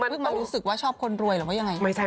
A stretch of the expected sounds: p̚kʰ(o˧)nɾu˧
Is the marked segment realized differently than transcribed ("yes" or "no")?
no